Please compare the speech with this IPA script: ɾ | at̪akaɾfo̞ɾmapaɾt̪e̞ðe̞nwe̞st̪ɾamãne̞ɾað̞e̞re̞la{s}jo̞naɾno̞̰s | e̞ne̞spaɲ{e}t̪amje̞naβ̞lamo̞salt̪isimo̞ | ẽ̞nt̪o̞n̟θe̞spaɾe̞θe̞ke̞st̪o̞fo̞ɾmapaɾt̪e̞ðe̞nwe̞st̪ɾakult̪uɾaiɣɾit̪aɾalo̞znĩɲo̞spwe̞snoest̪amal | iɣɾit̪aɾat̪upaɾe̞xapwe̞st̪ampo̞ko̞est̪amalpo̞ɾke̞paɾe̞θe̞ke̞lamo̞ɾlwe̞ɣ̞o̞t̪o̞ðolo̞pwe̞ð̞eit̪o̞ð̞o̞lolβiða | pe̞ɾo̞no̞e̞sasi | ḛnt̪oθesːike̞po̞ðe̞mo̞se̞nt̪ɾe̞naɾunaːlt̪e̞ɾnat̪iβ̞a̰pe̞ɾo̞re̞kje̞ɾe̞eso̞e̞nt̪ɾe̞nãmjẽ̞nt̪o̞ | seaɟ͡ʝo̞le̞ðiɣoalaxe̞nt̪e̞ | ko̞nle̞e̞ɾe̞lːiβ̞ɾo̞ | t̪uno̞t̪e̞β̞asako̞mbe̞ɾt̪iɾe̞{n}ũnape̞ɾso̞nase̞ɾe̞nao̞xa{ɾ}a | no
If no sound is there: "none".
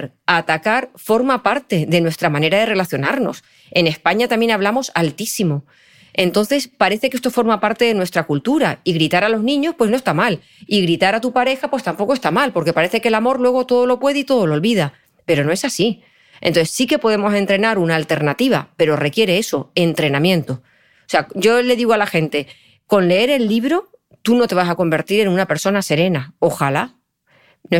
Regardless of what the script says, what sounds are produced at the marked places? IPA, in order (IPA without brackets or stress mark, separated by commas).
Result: θ, a, n, l